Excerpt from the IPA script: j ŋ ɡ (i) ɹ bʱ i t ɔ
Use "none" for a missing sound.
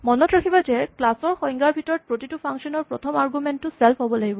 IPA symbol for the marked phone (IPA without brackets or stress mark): a